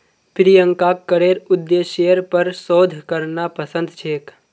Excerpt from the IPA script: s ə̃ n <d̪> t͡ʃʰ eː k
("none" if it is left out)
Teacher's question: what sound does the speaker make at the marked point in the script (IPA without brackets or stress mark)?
d̪